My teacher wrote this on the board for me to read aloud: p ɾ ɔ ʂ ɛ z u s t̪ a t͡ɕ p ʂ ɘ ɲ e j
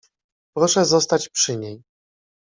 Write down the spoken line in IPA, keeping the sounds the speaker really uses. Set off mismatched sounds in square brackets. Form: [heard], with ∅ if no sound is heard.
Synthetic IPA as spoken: p ɾ ɔ ʂ ɛ z [ɔ] s t̪ a t͡ɕ p ʂ ɘ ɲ e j